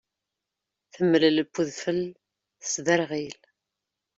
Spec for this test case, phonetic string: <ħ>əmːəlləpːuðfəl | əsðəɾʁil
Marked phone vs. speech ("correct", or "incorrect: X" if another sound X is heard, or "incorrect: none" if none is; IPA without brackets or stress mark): incorrect: θ